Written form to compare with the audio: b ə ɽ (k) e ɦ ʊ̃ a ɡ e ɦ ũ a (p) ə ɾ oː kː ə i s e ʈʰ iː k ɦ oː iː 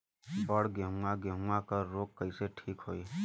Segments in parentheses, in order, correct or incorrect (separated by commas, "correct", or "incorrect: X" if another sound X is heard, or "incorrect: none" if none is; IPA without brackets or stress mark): incorrect: ɡ, incorrect: k